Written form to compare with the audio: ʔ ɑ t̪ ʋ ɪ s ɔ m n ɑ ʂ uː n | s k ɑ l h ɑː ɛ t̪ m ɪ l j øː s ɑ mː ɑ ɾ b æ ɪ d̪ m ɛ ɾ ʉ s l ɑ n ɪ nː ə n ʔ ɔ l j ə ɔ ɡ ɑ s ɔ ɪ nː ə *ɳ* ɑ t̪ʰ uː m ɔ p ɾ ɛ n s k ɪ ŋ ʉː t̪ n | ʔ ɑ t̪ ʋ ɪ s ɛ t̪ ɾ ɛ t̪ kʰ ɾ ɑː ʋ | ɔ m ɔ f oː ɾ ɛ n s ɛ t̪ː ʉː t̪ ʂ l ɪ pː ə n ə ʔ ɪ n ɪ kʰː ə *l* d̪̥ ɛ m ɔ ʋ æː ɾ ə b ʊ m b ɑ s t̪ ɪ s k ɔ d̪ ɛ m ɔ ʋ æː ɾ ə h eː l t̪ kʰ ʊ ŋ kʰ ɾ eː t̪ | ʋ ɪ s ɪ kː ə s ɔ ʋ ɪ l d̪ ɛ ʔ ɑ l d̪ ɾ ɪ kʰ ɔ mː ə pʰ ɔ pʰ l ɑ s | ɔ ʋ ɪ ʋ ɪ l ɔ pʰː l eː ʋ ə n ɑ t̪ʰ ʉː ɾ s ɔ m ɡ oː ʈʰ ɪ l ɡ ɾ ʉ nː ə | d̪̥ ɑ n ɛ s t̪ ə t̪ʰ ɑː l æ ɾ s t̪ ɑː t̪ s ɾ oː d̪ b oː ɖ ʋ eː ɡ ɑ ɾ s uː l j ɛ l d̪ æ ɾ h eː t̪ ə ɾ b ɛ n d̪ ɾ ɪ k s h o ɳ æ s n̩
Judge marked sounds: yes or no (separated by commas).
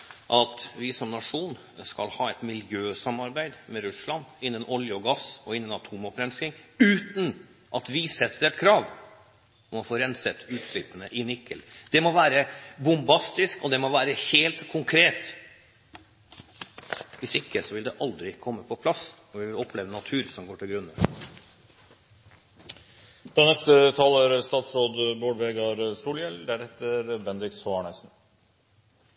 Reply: no, yes